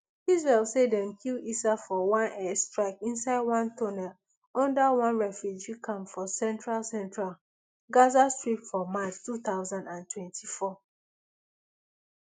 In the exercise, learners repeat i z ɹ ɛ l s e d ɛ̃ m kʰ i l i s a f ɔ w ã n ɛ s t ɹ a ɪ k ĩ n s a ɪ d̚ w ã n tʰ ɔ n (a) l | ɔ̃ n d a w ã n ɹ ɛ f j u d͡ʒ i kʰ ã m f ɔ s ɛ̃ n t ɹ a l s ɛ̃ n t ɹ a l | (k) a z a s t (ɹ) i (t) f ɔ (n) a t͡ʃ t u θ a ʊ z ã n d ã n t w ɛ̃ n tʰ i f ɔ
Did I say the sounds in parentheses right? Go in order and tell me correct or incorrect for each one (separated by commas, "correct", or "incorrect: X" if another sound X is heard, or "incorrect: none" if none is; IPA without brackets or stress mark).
incorrect: ɛ, incorrect: ɡ, correct, incorrect: p, incorrect: m